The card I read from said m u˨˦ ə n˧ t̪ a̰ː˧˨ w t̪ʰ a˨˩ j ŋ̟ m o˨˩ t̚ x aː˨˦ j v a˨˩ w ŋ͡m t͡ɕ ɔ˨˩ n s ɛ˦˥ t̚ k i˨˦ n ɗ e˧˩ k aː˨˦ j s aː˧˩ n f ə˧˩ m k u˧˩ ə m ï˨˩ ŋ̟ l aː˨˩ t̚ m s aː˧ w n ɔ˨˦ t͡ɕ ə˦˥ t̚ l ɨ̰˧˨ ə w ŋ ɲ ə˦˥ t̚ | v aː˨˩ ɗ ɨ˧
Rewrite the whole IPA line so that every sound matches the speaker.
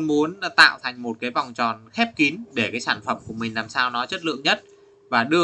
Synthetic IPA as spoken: m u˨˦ ə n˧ t̪ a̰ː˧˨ w t̪ʰ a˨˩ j ŋ̟ m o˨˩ t̚ k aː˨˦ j v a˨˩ w ŋ͡m t͡ɕ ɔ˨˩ n x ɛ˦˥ p̚ k i˨˦ n ɗ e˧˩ k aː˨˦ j s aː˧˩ n f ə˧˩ m k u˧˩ ə m ï˨˩ ŋ̟ l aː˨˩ m s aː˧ w n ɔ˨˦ t͡ɕ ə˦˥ t̚ l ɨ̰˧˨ ə ŋ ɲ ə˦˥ t̚ | v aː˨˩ ɗ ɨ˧